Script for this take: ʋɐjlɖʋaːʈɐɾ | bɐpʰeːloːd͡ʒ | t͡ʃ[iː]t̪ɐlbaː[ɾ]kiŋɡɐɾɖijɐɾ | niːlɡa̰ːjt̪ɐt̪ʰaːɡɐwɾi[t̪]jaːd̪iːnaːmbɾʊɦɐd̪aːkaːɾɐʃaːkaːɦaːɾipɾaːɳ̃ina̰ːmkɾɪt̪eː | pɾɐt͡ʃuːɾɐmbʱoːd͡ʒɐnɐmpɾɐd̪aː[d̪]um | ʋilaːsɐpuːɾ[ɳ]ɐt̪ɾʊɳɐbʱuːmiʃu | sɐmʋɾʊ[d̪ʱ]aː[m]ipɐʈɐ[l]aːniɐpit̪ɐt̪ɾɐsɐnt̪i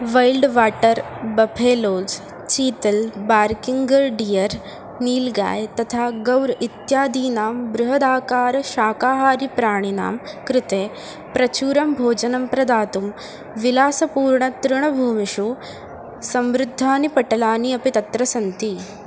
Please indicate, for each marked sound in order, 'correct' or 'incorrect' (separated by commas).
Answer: correct, correct, correct, incorrect, correct, incorrect, incorrect, correct